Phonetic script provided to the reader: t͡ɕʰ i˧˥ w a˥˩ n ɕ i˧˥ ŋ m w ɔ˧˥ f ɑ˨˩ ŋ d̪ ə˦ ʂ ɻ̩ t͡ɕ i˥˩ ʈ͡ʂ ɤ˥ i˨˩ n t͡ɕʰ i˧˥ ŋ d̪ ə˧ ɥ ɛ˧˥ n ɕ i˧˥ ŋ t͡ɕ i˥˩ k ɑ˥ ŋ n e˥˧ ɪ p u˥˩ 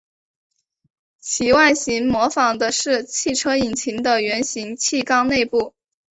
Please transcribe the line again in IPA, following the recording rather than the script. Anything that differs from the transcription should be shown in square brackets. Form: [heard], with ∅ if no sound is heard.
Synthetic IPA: t͡ɕʰ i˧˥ w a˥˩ n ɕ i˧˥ ŋ m w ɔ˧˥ f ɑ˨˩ ŋ d̪ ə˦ ʂ ɻ̩ [t͡ɕʰ] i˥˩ [ʈ͡ʂʰ] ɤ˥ i˨˩ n t͡ɕʰ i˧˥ ŋ d̪ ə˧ ɥ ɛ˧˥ n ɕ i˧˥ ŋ [t͡ɕʰ] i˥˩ k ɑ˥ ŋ n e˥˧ ɪ p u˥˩